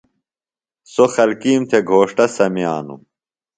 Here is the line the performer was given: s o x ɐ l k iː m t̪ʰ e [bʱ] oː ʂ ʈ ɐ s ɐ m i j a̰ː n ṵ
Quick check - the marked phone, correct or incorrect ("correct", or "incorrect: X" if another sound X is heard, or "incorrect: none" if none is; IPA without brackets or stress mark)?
incorrect: ɡʱ